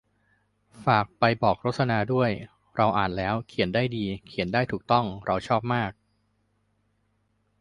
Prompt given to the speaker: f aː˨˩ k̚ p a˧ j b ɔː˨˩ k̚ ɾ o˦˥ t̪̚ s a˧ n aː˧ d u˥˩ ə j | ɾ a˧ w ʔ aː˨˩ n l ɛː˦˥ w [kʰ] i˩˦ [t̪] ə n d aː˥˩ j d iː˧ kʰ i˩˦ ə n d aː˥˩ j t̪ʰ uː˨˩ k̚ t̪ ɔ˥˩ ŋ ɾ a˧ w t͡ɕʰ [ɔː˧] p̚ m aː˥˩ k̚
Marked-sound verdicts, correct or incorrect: correct, incorrect: none, incorrect: ɔː˥˩

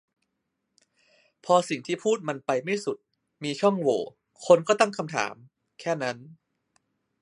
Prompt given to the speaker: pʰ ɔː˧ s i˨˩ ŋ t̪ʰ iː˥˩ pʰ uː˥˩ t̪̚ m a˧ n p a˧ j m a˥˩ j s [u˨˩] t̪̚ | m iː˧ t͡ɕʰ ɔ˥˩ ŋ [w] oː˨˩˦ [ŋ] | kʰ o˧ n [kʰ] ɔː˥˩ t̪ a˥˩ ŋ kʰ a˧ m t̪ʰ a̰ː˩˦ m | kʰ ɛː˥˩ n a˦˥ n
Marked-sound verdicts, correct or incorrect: correct, correct, incorrect: none, incorrect: k

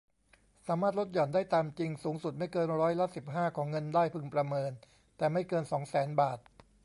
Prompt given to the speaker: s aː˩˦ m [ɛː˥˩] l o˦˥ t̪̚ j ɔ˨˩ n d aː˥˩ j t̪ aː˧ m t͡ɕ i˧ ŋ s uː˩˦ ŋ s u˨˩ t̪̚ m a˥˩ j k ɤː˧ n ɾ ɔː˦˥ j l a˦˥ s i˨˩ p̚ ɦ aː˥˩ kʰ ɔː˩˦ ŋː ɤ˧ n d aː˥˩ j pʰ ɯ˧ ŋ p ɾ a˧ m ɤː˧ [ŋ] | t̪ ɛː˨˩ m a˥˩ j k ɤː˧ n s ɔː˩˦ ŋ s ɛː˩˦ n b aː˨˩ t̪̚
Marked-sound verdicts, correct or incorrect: incorrect: aː˥˩, incorrect: n

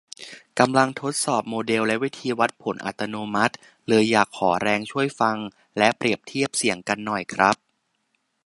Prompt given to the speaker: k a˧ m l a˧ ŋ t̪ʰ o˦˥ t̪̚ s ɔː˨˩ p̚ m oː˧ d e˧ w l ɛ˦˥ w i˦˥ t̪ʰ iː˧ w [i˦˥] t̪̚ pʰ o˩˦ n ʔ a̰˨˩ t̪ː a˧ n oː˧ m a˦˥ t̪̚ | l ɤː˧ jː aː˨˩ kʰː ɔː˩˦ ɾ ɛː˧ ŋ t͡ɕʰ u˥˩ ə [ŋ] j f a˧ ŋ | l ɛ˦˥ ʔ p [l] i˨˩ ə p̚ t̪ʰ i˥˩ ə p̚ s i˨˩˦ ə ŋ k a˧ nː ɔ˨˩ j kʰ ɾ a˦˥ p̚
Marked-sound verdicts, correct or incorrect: incorrect: a˦˥, incorrect: none, incorrect: ɾ

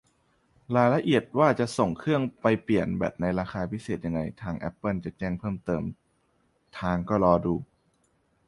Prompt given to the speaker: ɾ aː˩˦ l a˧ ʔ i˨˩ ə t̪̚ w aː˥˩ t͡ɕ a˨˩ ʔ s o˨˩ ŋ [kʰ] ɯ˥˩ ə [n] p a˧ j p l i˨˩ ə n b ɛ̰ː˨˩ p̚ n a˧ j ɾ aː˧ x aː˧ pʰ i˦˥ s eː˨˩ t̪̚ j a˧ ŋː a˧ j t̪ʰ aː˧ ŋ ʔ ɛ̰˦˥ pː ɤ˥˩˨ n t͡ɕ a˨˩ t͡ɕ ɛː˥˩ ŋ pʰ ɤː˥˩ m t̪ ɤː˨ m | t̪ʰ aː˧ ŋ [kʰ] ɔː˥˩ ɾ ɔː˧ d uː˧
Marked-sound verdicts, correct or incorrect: correct, incorrect: ŋ, incorrect: k

